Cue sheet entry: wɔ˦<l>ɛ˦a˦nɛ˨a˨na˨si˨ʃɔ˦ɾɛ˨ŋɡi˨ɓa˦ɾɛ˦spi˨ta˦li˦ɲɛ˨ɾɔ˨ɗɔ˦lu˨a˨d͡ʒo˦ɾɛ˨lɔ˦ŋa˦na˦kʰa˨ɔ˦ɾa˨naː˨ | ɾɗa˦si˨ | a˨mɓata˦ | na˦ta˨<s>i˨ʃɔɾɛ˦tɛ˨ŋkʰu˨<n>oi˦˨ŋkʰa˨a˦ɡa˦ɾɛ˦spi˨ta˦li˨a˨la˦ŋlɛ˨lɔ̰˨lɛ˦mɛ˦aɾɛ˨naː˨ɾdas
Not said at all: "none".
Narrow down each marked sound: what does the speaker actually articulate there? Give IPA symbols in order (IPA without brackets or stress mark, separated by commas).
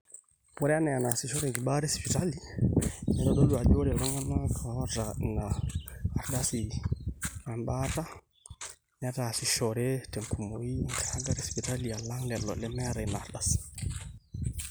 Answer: ɾ, s, m